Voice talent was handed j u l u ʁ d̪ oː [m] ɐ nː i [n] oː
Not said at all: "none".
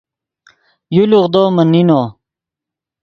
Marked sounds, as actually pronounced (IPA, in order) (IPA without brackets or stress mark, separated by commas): m, n